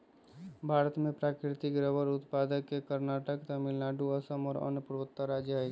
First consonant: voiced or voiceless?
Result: voiced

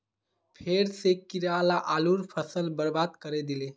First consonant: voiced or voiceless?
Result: voiceless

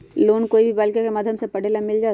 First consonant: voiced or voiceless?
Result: voiced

